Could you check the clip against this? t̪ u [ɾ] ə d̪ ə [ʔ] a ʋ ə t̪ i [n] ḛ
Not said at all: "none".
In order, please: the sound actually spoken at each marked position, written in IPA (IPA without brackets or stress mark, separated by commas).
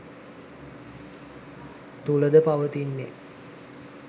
l, p, nː